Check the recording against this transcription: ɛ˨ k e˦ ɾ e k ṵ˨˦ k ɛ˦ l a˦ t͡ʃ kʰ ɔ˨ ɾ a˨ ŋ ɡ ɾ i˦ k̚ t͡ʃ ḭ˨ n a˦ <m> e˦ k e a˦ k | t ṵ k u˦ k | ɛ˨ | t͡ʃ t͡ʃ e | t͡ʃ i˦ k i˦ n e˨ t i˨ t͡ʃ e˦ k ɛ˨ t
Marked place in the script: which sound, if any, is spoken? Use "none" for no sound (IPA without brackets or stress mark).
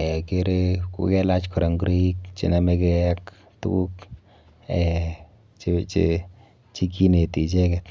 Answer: m